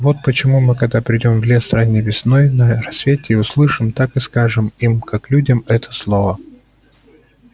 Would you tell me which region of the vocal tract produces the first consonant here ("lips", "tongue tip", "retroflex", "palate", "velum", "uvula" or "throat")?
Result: lips